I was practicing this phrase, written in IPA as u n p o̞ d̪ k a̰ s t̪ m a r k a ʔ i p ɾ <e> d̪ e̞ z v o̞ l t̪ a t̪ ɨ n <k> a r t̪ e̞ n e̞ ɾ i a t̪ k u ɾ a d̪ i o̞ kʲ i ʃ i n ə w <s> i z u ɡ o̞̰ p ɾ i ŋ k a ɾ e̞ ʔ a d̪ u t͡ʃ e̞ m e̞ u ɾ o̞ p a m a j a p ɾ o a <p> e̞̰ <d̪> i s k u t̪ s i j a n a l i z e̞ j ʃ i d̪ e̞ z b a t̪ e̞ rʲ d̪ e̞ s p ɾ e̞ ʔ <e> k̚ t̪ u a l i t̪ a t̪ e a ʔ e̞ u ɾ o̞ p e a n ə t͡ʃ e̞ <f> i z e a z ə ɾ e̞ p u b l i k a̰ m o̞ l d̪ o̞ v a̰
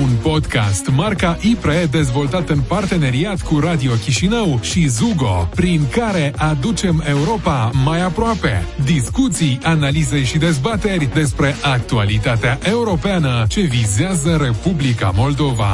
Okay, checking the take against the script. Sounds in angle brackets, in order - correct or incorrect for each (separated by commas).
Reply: correct, incorrect, incorrect, correct, correct, incorrect, incorrect